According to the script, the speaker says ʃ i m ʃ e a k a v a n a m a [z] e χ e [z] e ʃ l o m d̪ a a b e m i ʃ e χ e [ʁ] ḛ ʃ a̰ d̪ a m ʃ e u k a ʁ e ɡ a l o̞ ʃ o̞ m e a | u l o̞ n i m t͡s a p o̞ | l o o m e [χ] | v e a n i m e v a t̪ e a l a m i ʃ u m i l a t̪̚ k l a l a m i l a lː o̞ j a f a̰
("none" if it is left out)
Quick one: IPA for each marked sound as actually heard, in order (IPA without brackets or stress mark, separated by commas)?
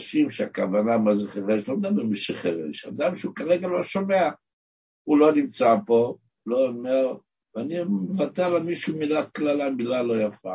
z, ʁ, ʁ, ʁ